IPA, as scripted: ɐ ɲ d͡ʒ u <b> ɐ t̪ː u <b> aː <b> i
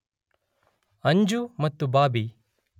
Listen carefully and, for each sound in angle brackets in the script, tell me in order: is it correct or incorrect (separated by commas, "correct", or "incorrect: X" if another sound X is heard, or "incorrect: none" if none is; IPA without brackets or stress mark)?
incorrect: m, correct, correct